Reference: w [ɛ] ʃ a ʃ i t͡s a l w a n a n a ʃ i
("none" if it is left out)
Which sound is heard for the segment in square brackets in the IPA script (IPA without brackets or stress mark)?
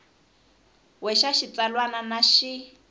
ɛ